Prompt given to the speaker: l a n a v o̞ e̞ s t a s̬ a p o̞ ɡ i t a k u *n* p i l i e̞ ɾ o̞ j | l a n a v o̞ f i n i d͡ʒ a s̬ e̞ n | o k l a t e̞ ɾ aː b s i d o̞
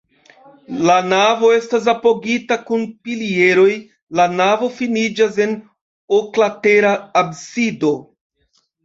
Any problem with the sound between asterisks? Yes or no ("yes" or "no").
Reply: no